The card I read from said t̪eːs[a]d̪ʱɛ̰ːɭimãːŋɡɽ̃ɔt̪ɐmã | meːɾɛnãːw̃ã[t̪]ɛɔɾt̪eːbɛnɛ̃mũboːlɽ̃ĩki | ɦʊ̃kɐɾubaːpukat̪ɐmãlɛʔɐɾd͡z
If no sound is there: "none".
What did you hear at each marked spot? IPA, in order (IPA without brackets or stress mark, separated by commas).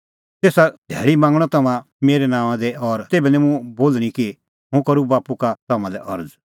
a, d̪